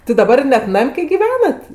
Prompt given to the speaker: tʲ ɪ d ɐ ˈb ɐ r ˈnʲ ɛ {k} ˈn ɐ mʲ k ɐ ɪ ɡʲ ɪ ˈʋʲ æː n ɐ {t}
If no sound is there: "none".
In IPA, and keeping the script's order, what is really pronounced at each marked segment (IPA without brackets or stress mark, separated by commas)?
t, t